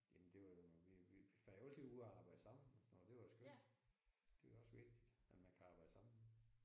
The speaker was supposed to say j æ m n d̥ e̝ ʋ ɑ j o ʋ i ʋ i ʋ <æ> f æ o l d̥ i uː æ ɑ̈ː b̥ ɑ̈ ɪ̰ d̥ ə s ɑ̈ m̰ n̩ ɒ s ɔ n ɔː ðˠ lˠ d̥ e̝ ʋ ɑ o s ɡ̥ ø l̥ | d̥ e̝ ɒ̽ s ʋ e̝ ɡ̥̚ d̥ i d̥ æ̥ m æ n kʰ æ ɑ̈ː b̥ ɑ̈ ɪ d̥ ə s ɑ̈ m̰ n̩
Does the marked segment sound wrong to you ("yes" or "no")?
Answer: yes